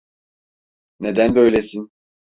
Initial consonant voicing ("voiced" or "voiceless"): voiced